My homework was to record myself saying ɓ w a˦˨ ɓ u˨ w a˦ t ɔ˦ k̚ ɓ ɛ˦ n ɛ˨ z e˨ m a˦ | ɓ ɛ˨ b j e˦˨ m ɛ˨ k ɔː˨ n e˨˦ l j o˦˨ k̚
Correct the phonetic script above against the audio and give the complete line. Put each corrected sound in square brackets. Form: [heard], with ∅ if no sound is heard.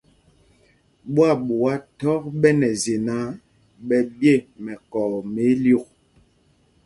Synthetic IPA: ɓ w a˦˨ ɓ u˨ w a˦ t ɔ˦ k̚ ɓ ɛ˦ n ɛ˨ z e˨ [n] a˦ | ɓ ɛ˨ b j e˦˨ m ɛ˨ k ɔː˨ [m] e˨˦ l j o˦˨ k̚